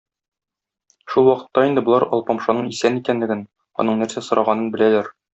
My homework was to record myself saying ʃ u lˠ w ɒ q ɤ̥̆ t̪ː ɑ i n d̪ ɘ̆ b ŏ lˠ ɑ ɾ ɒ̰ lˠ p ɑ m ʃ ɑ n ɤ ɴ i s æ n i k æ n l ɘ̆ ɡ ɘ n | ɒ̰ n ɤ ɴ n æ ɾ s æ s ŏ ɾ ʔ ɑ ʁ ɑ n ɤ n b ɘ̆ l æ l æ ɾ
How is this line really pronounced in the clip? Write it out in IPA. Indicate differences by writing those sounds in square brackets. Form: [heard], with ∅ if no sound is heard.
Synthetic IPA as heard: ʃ u lˠ w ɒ q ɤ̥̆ t̪ː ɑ i n d̪ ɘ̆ b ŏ lˠ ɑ ɾ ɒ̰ lˠ p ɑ m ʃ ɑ n ɤ ɴ i s æ n i k æ n l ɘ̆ ɡ ɘ n | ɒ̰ n ɤ ɴ n æ ɾ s æ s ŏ ɾ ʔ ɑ ʁ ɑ n ɤ n b ɘ̆ l æ l æ ɾ

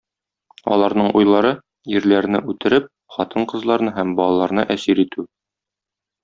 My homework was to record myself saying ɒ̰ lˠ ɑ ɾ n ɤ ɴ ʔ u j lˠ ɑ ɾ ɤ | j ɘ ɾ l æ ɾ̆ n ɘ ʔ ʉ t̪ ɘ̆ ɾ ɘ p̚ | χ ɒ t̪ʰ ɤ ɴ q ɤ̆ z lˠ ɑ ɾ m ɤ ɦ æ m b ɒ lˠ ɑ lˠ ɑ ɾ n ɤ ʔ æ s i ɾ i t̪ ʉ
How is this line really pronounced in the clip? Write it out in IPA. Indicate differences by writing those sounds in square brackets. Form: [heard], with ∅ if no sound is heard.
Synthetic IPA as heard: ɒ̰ lˠ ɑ ɾ n ɤ ɴ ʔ u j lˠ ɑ ɾ ɤ | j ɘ ɾ l æ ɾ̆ n ɘ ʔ ʉ t̪ ɘ̆ ɾ ɘ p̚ | χ ɒ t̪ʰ ɤ ɴ q ɤ̆ z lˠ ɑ ɾ [n] ɤ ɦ æ m b ɒ lˠ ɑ lˠ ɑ ɾ n ɤ ʔ æ s i ɾ i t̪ ʉ

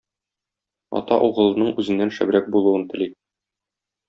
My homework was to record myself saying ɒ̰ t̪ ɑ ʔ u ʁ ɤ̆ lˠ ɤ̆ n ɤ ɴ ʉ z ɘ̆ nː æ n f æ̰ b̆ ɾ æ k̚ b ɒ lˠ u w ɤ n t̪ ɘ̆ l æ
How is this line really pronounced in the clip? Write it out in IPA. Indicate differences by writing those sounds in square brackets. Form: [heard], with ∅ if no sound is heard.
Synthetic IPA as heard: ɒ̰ t̪ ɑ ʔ u ʁ ɤ̆ lˠ ɤ̆ n ɤ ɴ ʉ z ɘ̆ nː æ n [ʃ] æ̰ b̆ ɾ æ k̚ b [u] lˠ u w ɤ n t̪ ɘ̆ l [i]

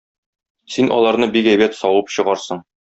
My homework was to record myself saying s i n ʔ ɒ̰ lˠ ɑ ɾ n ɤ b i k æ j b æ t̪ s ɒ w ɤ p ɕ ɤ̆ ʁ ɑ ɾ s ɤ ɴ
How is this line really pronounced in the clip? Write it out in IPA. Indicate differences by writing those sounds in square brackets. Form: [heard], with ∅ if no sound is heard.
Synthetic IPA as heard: s i n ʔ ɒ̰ lˠ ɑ ɾ n ɤ b i k æ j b æ t̪ s ɒ w ɤ p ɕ ɤ̆ ʁ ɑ ɾ s ɤ ɴ

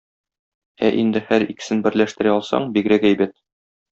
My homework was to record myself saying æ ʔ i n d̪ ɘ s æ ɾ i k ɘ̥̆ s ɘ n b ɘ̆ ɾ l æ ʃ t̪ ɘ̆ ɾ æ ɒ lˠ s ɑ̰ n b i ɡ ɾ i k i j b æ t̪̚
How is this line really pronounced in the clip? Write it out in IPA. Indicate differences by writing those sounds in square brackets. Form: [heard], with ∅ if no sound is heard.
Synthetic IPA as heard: æ ʔ i n d̪ ɘ [h] æ ɾ i k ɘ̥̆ s ɘ n b ɘ̆ ɾ l æ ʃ t̪ ɘ̆ ɾ æ ɒ lˠ s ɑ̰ [ɴ] b i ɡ ɾ [æ] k [æ] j b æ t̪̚

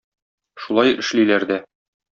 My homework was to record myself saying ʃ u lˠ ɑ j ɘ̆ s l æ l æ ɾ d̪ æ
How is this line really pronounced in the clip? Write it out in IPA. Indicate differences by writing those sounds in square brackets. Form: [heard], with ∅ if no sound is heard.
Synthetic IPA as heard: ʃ u lˠ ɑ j ɘ̆ [ʃ] l [i] l æ ɾ d̪ æ

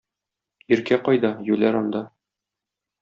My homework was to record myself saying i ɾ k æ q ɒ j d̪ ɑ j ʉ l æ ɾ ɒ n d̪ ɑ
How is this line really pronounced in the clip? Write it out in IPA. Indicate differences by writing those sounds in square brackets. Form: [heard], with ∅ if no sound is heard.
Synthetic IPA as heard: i ɾ k æ q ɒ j d̪ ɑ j ʉ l æ ɾ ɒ n d̪ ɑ

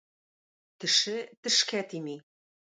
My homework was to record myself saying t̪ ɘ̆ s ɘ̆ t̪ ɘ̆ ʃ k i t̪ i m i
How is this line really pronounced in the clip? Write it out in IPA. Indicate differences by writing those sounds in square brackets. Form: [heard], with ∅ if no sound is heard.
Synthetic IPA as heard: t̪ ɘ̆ [ʃ] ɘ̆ t̪ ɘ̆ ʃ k [æ] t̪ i m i

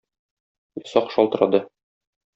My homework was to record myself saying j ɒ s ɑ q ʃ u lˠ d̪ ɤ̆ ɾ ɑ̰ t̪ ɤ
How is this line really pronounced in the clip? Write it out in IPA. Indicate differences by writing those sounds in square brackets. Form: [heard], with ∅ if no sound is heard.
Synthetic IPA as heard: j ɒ s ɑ q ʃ [ɒ] lˠ [t̪] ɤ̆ ɾ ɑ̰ [d̪] ɤ

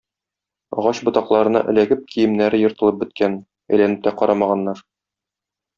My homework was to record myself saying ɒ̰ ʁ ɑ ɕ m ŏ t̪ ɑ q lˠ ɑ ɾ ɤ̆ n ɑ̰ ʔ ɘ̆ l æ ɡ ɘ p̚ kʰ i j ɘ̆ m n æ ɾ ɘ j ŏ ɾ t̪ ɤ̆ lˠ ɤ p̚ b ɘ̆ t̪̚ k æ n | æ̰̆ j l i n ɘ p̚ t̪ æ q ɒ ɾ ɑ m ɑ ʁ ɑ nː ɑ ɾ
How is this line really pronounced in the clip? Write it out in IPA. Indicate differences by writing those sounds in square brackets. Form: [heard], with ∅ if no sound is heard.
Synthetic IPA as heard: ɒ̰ ʁ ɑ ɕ [b] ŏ t̪ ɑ q lˠ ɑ ɾ ɤ̆ n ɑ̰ ʔ ɘ̆ l æ ɡ ɘ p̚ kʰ i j ɘ̆ m n æ ɾ ɘ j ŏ ɾ t̪ ɤ̆ lˠ ɤ p̚ b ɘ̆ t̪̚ k æ n | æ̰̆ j l [æ] n ɘ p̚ t̪ æ q ɒ ɾ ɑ m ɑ ʁ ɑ nː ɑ ɾ

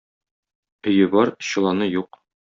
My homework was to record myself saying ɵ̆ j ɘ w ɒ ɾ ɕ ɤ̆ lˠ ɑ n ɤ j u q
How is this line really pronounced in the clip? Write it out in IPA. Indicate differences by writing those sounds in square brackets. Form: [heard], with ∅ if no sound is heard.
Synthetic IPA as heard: ɵ̆ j ɘ [b] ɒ ɾ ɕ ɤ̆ lˠ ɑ n ɤ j u q

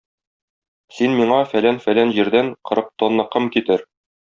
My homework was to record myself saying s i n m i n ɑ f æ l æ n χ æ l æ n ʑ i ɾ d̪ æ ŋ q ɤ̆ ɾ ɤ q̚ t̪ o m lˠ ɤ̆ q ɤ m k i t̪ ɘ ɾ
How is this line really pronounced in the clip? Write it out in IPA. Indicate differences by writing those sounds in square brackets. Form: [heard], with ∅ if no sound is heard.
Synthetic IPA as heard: s i n m i [ɴ] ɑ f æ l æ n [f] æ l æ n ʑ i ɾ d̪ æ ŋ q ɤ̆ ɾ ɤ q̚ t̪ o [n] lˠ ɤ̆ q ɤ m k i t̪ ɘ ɾ

